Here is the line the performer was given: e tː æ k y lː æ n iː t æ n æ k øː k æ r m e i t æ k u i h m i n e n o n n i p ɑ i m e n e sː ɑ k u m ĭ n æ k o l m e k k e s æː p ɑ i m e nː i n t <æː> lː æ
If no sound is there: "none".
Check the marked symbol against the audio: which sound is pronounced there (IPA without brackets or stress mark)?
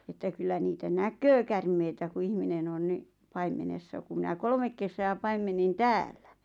æː